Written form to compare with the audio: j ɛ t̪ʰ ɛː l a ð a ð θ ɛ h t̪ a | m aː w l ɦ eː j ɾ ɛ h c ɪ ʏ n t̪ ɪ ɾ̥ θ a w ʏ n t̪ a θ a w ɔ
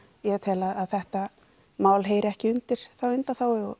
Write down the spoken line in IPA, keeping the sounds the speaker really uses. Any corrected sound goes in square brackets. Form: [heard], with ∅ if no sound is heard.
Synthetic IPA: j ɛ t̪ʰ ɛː l a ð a ð θ ɛ h t̪ a | m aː w l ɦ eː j ɾ ɛ h c ɪ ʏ n t̪ ɪ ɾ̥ θ a w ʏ n t̪ a θ a w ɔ